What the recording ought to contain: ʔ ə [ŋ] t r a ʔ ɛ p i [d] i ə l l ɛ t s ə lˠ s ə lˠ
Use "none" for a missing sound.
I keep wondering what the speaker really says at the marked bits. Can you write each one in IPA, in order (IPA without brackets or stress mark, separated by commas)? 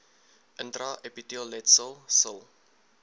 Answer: n, t